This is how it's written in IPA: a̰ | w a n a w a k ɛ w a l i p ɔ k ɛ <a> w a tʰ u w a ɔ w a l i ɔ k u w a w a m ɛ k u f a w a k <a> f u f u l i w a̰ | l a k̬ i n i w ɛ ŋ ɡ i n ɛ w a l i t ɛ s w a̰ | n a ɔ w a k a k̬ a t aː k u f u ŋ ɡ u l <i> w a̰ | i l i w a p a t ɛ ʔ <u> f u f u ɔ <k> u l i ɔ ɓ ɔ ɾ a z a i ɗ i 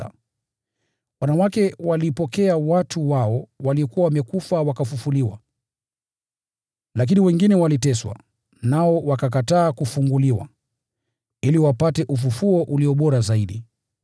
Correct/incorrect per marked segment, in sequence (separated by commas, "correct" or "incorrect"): correct, correct, correct, correct, incorrect